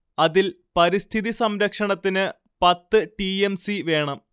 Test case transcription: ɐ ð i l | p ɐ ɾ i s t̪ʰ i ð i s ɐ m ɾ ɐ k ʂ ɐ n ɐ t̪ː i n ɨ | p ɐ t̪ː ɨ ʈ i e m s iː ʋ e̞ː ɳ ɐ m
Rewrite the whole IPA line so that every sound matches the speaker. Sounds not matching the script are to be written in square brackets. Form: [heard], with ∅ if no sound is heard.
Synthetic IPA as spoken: ɐ ð i l | p ɐ ɾ i s t̪ʰ i ð i s ɐ m ɾ ɐ k ʂ ɐ [ɳ] ɐ t̪ː i n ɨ | p ɐ t̪ː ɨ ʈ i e m s [i] ʋ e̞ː ɳ ɐ m